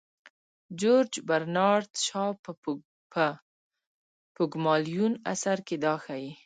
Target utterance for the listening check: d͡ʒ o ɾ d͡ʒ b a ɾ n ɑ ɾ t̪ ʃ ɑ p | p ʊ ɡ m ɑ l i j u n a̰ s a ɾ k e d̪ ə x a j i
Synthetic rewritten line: d͡ʒ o ɾ d͡ʒ b a ɾ n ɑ ɾ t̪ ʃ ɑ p | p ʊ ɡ m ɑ l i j u n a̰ s a ɾ k e d̪ ɑ x a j i